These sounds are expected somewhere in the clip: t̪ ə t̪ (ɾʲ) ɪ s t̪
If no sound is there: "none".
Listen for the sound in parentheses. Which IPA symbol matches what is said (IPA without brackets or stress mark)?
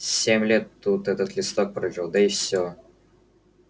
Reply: lʲ